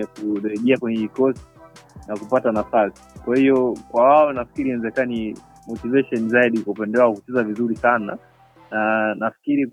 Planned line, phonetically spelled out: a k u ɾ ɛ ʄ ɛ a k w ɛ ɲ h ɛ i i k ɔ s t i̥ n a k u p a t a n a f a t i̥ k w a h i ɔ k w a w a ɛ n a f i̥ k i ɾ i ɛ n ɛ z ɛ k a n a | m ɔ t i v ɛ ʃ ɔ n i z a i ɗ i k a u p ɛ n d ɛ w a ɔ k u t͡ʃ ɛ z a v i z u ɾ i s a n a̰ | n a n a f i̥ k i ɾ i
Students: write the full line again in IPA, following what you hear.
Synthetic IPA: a k u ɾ ɛ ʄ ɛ a k w ɛ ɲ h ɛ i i k ɔ s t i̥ n a k u p a t a n a f a s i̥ k w a h i ɔ k w a w a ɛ n a f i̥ k i ɾ i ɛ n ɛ z ɛ k a n i | m ɔ t i v ɛ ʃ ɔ n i z a i ɗ i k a u p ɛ n d ɛ w a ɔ k u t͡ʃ ɛ z a v i z u ɾ i s a n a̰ | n a n a f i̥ k i ɾ i